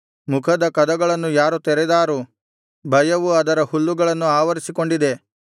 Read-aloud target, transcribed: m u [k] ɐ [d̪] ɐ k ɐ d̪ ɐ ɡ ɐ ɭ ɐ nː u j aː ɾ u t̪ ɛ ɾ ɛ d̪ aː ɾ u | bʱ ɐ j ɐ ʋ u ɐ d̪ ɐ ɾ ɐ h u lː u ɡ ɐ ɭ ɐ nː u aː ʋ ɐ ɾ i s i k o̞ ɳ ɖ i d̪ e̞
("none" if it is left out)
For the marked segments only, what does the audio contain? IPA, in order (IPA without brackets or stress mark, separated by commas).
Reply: kʰ, d̪